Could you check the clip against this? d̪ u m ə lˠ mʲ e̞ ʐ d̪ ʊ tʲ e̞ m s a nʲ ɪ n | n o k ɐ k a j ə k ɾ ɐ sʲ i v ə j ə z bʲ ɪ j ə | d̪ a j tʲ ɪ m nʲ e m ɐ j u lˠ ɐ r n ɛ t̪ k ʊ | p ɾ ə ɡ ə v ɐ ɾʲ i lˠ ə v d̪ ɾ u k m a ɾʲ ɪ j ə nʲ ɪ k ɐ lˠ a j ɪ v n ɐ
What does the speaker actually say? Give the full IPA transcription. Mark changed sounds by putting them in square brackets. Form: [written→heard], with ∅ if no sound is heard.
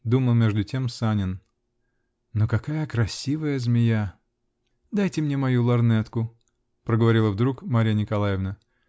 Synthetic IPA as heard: d̪ u m ə lˠ mʲ e̞ ʐ d̪ ʊ tʲ e̞ m s a nʲ ɪ n | n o k ɐ k a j ə k ɾ ɐ sʲ i v ə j ə z [bʲ→mʲ] ɪ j [ə→a] | d̪ a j tʲ ɪ m nʲ e m ɐ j u lˠ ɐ r n ɛ t̪ k ʊ | p ɾ ə ɡ ə v ɐ ɾʲ i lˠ ə v d̪ ɾ u k m a ɾʲ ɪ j ə nʲ ɪ k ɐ lˠ a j ɪ v n [ɐ→ə]